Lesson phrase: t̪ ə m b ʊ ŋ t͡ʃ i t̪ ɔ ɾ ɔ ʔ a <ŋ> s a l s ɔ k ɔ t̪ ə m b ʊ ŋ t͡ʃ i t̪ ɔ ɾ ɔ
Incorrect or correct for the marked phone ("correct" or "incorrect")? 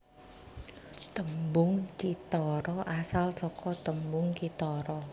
incorrect